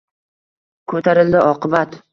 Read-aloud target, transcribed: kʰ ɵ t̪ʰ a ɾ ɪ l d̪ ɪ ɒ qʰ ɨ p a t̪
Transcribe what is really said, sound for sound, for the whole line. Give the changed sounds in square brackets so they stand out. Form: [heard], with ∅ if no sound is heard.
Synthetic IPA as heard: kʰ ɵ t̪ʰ a ɾ ɪ l d̪ ɪ ɒ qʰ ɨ [b] a t̪